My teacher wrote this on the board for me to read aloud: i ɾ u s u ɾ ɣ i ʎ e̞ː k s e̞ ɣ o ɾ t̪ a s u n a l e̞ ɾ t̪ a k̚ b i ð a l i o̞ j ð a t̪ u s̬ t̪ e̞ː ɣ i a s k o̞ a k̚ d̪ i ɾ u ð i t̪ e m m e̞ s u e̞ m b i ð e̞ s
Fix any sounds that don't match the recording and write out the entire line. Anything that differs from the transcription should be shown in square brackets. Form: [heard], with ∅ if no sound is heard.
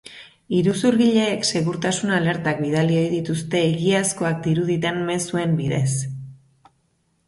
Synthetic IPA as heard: i ɾ u s u ɾ ɣ i ʎ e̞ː k s e̞ ɣ [u] ɾ t̪ a s u n a l e̞ ɾ t̪ a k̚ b i ð a l i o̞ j ð [i] t̪ u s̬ t̪ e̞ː ɣ i a s k o̞ a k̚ d̪ i ɾ u ð i t̪ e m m e̞ s u e̞ m b i ð e̞ s

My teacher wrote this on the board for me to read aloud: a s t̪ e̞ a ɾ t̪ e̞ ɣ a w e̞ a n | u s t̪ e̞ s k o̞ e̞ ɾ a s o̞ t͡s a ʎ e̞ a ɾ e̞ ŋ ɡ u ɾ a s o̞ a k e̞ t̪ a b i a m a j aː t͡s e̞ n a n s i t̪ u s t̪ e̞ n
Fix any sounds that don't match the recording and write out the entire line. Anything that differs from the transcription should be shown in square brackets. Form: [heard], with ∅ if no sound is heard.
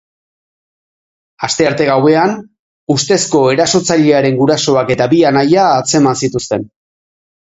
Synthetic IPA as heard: a s t̪ e̞ a ɾ t̪ e̞ ɣ a w e̞ a n | u s t̪ e̞ s k o̞ e̞ ɾ a s o̞ t͡s a ʎ e̞ a ɾ e̞ ŋ ɡ u ɾ a s o̞ a k e̞ t̪ a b i a [n] a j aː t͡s e̞ [m] a n s i t̪ u s t̪ e̞ n

